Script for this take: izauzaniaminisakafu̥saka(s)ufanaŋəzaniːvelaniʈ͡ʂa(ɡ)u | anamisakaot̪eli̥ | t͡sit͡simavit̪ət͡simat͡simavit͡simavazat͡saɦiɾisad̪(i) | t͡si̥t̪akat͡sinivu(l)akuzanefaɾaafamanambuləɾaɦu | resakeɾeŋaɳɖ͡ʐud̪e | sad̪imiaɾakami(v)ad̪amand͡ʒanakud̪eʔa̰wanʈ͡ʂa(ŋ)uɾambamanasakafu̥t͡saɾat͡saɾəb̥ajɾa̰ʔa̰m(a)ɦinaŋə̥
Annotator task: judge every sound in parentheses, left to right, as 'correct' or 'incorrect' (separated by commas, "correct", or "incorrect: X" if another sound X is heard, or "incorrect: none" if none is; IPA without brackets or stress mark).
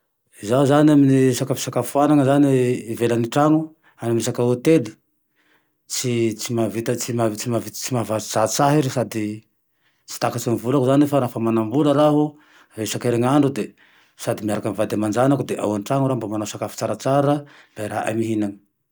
incorrect: f, incorrect: ŋ, correct, correct, correct, correct, incorrect: i